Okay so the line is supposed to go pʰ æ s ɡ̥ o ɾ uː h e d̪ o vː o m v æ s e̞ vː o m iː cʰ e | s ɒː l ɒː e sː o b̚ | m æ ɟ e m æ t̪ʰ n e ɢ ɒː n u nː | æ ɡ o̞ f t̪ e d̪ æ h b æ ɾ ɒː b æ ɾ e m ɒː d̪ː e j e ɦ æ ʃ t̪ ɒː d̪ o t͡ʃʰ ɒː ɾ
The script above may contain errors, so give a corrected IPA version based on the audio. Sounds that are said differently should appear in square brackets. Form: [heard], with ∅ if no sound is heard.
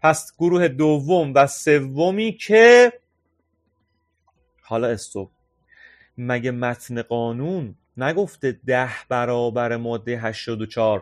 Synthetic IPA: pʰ æ s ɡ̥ o ɾ uː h e d̪ o vː o m v æ s e̞ vː o m iː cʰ e | [h] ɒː l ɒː e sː o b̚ | m æ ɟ e m æ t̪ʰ n e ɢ ɒː n u nː | æ ɡ o̞ f t̪ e d̪ æ h b æ ɾ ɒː b æ ɾ e m ɒː d̪ː e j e ɦ æ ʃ t̪ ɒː d̪ o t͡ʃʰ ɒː ɾ